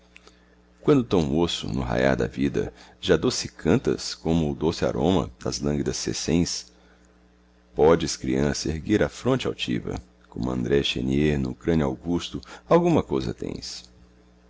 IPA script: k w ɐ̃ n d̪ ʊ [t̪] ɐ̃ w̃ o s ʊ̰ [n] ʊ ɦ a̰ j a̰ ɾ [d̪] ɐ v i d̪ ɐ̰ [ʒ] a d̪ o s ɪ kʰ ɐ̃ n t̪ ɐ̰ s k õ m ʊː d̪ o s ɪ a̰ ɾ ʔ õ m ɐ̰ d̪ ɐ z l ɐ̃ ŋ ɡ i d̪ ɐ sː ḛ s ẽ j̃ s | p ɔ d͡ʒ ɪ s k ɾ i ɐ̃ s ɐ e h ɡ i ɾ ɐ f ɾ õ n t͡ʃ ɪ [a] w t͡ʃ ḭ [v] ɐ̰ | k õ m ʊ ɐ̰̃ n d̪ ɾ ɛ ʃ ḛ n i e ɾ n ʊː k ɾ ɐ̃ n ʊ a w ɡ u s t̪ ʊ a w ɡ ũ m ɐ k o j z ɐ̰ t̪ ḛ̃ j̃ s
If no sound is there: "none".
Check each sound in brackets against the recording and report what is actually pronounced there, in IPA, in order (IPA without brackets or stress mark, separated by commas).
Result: t̪, n, d̪, ʒ, a, v